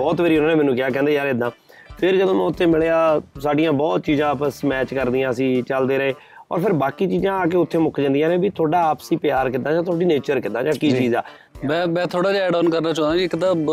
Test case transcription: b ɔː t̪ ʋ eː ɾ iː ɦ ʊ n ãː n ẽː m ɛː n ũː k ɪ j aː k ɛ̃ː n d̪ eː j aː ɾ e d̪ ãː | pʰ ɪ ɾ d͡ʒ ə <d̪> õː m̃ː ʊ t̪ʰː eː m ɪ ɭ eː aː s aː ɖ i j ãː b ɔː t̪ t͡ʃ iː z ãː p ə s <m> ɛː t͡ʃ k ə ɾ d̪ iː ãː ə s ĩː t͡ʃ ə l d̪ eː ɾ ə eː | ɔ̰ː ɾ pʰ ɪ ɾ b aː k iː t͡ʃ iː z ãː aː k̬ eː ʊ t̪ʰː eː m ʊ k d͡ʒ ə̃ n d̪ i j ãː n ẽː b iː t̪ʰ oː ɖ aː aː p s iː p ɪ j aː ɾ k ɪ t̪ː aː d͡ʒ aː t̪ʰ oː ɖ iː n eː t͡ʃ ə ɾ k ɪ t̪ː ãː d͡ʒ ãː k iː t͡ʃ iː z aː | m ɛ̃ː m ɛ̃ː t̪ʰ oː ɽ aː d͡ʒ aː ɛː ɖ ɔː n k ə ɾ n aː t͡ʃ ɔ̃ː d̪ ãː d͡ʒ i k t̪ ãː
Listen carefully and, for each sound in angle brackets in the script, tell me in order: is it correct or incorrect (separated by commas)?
correct, correct